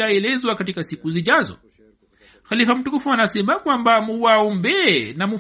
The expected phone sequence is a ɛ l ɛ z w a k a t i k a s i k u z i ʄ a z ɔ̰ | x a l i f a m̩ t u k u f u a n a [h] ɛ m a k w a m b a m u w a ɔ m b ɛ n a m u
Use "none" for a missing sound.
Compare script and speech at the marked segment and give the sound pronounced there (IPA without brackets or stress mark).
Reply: s